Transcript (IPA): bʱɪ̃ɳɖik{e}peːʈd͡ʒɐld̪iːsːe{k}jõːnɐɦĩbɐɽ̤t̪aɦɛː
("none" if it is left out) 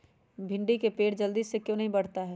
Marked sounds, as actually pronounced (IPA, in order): e, k

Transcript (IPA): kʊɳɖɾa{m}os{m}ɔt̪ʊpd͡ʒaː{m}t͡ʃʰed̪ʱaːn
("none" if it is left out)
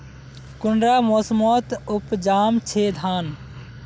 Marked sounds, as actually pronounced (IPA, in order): m, m, m

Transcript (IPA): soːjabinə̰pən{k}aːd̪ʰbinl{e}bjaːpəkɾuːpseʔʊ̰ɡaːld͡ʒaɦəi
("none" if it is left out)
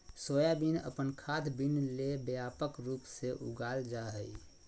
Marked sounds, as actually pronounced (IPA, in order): kʰ, e

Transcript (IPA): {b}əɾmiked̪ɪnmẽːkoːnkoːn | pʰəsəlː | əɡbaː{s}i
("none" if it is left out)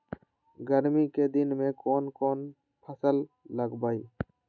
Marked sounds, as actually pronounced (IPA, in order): ɡ, none

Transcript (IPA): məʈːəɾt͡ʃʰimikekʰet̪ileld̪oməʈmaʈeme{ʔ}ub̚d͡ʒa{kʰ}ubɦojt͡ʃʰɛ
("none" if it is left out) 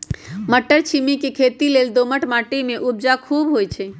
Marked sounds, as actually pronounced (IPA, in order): ʔ, kʰ

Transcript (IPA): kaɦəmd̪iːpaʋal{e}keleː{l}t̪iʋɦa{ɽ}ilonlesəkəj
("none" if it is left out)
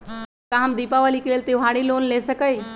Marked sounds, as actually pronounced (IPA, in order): i, l, ɽ

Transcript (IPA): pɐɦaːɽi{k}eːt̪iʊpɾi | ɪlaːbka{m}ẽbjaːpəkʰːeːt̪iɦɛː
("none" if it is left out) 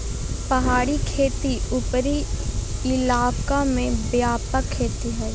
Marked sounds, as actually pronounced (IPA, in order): kʰ, m

